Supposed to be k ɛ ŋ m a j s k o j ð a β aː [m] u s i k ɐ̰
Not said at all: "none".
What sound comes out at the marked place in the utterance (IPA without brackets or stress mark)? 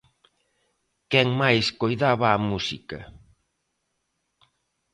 m